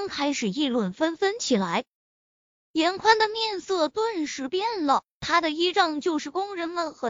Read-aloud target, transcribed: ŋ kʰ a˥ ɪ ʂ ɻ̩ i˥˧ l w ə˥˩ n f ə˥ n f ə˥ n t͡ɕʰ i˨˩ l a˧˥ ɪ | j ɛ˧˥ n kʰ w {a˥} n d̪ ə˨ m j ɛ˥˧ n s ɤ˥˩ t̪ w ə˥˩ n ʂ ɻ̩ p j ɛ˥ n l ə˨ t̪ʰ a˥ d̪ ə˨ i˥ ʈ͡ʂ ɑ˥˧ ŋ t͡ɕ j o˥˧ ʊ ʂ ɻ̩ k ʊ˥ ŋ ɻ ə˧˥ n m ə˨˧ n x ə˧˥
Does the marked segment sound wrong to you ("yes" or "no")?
no